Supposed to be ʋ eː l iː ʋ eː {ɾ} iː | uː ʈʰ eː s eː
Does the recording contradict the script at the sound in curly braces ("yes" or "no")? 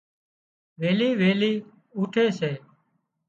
yes